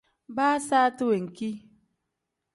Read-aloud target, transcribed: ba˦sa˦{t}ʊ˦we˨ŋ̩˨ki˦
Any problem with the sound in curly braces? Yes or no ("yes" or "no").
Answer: no